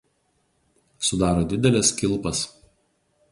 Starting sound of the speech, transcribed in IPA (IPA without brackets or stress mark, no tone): s